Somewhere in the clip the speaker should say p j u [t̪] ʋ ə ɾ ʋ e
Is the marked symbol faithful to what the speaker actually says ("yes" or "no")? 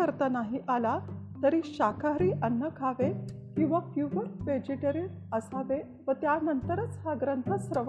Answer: no